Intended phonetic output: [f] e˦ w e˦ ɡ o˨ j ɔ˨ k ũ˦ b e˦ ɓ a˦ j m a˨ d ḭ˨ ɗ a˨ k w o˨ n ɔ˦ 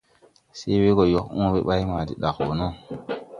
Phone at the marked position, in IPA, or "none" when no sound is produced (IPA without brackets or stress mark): s